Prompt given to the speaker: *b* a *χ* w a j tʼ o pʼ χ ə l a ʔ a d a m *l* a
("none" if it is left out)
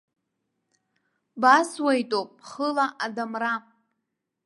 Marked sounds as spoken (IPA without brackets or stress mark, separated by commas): b, s, r